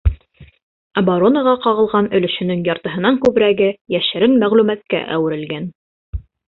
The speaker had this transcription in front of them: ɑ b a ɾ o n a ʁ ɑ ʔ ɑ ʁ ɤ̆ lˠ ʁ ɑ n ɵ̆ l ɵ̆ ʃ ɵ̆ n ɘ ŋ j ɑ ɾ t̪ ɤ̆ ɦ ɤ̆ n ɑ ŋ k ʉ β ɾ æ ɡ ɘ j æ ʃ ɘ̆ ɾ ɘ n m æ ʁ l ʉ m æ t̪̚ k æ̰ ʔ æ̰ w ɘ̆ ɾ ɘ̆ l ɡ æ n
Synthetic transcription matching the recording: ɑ b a ɾ o n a ʁ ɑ q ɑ ʁ ɤ̆ lˠ ʁ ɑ n ɵ̆ l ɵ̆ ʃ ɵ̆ n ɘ ŋ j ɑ ɾ t̪ ɤ̆ ɦ ɤ̆ n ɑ ŋ k ʉ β ɾ æ ɡ ɘ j æ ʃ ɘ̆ ɾ ɘ n m æ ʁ l ʉ m æ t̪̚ k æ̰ ʔ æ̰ w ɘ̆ ɾ ɘ̆ l ɡ æ n